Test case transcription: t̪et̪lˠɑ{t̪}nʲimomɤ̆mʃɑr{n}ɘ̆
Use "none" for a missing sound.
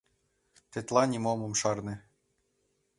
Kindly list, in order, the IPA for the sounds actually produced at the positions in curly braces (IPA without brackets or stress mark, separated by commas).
none, n